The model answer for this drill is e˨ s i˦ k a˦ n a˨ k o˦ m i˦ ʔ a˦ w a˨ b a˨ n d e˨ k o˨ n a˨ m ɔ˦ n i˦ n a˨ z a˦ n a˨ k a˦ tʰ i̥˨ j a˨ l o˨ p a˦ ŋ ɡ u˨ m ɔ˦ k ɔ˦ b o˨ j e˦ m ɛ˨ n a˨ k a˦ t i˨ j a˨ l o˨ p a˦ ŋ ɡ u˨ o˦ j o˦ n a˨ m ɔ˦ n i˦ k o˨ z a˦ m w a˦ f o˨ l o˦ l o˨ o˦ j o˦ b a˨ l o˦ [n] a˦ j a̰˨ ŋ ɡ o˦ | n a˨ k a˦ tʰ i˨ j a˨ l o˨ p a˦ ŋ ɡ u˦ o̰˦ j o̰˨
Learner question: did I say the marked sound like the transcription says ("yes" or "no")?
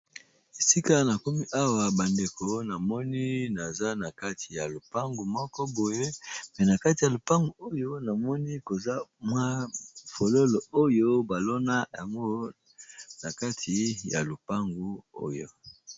yes